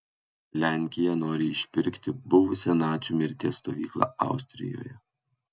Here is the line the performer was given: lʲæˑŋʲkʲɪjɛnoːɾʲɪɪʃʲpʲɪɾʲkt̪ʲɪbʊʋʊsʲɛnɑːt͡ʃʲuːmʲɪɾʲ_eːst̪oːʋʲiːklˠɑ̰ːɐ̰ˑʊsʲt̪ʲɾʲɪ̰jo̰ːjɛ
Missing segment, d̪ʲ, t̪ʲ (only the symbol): t̪ʲ